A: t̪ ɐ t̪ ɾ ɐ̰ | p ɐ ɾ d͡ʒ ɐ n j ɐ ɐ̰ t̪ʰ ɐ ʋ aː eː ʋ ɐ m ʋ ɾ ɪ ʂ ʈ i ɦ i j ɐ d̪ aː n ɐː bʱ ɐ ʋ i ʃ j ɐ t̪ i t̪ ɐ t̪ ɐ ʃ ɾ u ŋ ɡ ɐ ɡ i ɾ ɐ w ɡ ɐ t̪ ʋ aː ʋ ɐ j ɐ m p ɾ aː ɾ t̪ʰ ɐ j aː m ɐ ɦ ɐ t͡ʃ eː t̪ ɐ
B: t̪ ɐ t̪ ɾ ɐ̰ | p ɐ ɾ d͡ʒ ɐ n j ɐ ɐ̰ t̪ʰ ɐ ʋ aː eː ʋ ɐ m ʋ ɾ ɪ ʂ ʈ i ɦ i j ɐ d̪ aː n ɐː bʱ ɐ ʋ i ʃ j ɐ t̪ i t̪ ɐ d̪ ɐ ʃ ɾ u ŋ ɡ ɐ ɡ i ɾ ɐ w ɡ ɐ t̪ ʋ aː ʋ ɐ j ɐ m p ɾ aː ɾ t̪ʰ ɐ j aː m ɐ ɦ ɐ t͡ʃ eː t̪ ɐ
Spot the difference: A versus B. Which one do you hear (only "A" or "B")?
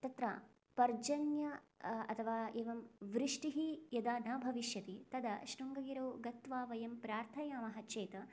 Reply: B